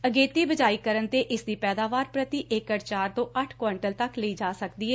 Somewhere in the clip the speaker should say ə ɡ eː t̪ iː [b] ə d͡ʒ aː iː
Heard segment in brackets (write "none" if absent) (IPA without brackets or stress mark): b